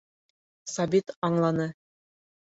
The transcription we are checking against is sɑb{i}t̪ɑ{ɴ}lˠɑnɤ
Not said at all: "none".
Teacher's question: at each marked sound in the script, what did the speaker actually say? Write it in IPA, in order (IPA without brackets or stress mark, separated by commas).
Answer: i, ɴ